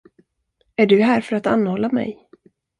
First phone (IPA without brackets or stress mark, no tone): æ